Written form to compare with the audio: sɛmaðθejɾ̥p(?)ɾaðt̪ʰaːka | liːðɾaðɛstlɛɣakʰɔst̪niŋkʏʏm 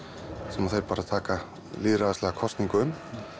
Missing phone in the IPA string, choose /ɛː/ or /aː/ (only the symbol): aː